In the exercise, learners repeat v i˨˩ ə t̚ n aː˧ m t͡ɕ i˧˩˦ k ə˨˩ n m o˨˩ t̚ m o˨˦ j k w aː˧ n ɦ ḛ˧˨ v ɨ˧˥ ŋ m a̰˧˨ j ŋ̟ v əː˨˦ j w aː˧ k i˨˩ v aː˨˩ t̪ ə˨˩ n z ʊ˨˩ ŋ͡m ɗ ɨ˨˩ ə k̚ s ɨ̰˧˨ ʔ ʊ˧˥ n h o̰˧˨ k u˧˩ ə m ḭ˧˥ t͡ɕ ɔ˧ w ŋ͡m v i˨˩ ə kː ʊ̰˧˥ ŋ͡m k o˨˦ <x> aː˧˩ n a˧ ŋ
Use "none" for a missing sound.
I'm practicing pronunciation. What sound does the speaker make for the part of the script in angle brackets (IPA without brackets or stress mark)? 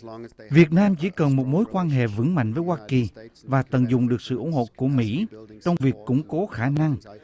x